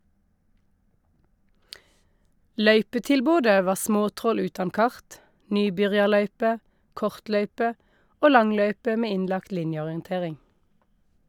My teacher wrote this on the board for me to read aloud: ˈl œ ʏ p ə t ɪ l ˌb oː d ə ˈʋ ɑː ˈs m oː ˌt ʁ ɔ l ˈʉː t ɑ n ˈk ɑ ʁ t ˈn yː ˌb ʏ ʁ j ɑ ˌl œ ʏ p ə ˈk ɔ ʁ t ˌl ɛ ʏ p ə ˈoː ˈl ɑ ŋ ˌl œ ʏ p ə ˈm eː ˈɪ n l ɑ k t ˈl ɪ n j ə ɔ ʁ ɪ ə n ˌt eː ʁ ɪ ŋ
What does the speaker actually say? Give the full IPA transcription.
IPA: ˈl œ ʏ p ə t ɪ l ˌb oː d ə ˈʋ ɑː ˈs m oː ˌt ʁ ɔ l ˈʉː t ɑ n ˈk ɑ ʁ t ˈn yː ˌb ʏ ʁ j ɑ ˌl œ ʏ p ə ˈk ɔ ʁ t ˌl œ ʏ p ə ˈoː ˈl ɑ ŋ ˌl œ ʏ p ə ˈm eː ˈɪ n l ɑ k t ˈl ɪ n j ə ɔ ʁ ɪ ə n ˌt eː ʁ ɪ ŋ